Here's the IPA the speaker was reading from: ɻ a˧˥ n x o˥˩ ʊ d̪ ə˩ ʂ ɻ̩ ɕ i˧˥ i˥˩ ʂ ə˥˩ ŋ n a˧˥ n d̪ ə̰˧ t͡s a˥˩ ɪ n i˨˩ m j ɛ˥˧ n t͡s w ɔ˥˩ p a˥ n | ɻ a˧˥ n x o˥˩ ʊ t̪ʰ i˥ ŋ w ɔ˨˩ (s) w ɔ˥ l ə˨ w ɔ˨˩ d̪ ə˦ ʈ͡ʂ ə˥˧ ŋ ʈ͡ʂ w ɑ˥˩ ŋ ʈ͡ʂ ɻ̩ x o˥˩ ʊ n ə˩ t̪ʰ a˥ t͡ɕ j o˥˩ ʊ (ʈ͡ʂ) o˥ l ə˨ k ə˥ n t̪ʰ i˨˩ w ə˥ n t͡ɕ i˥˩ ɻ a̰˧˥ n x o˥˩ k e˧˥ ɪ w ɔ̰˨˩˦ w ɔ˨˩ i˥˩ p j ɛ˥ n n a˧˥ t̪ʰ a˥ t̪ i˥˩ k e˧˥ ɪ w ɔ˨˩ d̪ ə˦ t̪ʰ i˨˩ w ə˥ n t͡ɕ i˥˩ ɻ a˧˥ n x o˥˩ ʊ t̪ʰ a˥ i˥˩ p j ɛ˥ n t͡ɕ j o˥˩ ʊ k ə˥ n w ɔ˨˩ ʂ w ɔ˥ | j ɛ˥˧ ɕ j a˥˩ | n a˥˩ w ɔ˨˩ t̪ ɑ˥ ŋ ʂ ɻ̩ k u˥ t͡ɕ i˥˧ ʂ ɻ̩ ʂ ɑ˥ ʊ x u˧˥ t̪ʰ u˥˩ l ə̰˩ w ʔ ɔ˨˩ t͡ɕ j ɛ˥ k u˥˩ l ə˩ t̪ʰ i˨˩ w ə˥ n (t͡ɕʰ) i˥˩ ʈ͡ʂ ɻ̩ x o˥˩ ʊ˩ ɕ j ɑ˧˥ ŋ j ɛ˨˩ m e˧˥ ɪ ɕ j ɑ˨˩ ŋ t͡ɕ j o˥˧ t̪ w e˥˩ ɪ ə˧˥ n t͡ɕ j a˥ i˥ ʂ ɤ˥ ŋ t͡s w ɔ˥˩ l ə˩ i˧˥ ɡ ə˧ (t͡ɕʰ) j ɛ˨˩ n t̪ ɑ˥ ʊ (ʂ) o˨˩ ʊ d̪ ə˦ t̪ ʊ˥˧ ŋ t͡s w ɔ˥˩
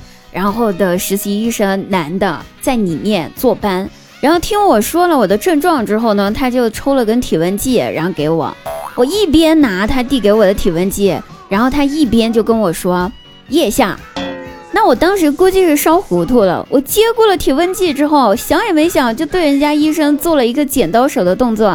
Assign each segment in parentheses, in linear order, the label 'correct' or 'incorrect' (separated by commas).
incorrect, incorrect, incorrect, incorrect, correct